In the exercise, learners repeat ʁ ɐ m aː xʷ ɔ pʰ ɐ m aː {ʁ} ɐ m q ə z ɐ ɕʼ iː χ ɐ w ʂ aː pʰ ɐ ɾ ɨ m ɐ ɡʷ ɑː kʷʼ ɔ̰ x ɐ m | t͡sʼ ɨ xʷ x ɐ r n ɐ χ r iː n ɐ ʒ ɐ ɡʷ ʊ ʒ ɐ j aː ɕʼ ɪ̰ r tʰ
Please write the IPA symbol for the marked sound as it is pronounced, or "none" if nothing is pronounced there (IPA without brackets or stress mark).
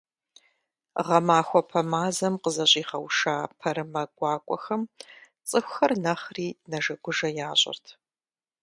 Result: z